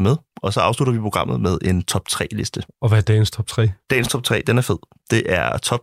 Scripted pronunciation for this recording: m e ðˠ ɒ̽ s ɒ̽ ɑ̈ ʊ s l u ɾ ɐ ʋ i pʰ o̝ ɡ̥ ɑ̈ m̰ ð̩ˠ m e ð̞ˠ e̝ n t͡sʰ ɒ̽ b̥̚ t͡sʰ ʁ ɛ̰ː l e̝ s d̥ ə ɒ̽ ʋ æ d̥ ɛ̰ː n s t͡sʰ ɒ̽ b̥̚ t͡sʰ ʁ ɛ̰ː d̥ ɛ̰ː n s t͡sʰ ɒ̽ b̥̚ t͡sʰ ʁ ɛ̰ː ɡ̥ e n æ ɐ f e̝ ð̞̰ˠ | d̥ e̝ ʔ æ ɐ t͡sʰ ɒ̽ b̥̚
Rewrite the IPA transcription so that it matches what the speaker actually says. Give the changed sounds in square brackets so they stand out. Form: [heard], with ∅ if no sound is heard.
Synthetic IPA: m e ðˠ ɒ̽ s ɒ̽ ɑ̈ ʊ s l u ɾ ɐ ʋ i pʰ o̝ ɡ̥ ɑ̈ m̰ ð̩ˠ m e ð̞ˠ e̝ n t͡sʰ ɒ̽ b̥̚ t͡sʰ ʁ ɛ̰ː l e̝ s d̥ ə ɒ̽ ʋ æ d̥ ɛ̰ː n s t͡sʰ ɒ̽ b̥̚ t͡sʰ ʁ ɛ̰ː d̥ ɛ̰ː n s t͡sʰ ɒ̽ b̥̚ t͡sʰ ʁ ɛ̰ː [d̥] e n æ ɐ f e̝ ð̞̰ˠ | d̥ e̝ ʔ æ ɐ t͡sʰ ɒ̽ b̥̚